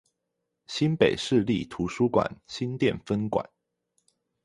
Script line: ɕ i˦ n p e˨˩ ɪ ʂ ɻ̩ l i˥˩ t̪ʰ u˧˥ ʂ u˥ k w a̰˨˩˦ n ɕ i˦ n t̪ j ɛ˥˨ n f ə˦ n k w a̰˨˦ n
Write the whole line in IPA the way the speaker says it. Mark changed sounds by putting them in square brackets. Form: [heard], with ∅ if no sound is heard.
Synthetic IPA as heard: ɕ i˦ n p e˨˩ ɪ ʂ ɻ̩ l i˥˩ t̪ʰ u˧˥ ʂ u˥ k w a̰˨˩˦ n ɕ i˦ n t̪ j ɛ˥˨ n f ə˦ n k w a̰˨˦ n